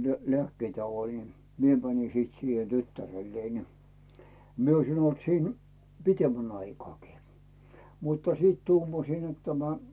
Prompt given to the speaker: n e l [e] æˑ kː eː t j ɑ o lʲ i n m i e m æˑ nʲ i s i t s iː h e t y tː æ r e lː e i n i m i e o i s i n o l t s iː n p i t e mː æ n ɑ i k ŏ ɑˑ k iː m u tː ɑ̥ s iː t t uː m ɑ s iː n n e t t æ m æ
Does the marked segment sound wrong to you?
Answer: no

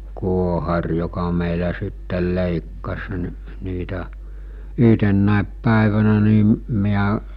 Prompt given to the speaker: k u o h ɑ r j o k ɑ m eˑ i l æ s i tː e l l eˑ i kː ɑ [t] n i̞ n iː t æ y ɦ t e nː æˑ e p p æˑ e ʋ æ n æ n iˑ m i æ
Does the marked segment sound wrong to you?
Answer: yes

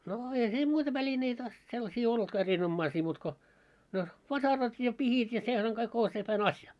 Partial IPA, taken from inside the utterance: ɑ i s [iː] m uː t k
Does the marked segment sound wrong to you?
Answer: no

